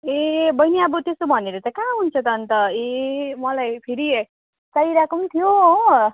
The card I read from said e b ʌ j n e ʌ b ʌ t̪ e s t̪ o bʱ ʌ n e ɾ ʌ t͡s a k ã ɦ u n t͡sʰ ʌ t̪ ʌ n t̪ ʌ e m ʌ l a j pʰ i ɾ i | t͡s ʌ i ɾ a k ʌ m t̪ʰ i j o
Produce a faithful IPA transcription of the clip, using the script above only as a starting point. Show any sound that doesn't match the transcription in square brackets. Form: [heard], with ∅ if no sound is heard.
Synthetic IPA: e b ʌ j n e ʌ b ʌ t̪ e s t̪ o bʱ ʌ n e ɾ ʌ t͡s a k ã ɦ u n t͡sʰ ʌ t̪ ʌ n t̪ ʌ e m ʌ l a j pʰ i ɾ i | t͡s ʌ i ɾ a k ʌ m t̪ʰ i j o